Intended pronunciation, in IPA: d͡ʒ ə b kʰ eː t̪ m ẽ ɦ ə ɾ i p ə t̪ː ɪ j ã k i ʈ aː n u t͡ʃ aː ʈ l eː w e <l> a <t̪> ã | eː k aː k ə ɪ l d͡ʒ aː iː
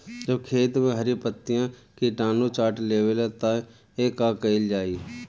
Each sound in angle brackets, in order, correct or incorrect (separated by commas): correct, correct